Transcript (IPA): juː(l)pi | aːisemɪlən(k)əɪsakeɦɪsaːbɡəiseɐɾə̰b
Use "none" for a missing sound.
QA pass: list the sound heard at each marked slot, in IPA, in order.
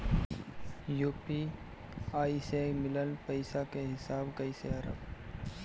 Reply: none, p

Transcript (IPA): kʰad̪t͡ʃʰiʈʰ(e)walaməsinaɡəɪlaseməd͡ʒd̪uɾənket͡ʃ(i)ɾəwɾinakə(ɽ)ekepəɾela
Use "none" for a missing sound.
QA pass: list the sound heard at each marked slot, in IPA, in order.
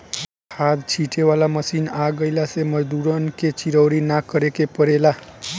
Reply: e, i, ɾ

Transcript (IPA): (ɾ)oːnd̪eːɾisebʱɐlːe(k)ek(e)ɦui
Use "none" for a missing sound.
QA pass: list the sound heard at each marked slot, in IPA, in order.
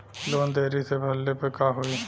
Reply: l, p, a

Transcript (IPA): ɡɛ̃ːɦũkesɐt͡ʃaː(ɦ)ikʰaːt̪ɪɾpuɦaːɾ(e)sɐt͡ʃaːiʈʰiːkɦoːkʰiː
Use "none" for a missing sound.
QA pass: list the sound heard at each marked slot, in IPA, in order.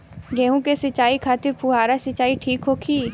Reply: none, a

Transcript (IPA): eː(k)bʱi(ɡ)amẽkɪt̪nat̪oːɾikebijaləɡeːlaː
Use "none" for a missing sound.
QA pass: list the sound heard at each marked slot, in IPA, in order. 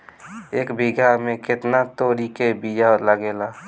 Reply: k, ɡ

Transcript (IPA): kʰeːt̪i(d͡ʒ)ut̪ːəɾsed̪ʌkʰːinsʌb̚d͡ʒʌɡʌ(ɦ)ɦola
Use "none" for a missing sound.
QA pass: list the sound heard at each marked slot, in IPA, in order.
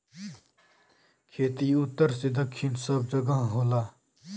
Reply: none, ɦ

